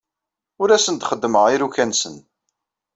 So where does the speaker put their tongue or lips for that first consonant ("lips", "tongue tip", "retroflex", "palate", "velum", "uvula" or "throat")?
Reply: tongue tip